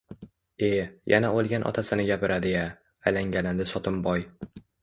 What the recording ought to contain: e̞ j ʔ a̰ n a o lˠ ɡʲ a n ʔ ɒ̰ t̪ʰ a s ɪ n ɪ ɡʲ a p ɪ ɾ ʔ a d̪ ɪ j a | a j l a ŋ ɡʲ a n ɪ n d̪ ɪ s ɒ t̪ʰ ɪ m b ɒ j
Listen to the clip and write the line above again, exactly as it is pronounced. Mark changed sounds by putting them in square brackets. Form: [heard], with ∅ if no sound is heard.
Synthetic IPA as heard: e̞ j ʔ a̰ n a o lˠ ɡʲ a n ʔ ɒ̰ t̪ʰ a s ɪ n ɪ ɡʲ a p ɪ ɾ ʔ a d̪ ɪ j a | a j l a ŋ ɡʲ a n ɪ n d̪ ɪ s ɒ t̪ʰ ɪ m b ɒ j